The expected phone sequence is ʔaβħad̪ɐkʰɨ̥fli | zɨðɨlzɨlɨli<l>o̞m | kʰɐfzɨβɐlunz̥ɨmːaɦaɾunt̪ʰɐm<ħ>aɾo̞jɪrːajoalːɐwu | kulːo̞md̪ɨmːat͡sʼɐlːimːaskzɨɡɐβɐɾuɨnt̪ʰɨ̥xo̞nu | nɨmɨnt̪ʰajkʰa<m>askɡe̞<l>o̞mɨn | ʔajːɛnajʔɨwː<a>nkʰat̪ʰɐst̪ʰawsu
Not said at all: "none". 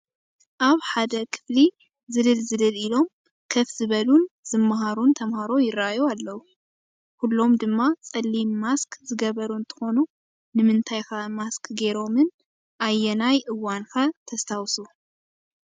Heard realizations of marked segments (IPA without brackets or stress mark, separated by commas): l, h, m, ɾ, a